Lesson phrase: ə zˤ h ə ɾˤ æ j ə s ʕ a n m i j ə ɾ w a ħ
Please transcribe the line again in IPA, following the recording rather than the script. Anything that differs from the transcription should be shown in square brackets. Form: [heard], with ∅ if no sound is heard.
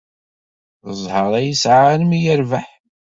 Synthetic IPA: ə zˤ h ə ɾˤ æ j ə s ʕ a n m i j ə ɾ [v] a ħ